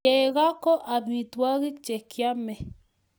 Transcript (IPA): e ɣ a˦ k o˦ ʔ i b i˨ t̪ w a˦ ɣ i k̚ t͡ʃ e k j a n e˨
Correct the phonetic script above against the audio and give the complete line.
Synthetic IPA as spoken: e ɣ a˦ k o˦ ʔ a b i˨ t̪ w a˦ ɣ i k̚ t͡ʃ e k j a m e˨